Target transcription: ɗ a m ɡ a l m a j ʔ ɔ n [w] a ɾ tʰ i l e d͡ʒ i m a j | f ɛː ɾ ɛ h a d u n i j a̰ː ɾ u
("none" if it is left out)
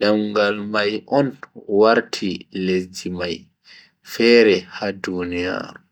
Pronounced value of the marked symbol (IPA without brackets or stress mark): w